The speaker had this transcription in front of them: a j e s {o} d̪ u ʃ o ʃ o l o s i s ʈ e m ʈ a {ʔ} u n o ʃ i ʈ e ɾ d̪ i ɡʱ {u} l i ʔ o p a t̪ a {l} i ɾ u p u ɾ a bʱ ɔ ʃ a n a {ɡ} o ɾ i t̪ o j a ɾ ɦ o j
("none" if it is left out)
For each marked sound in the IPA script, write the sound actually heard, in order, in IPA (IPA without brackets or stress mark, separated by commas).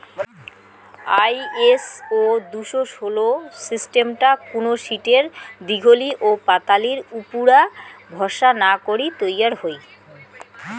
o, k, o, l, k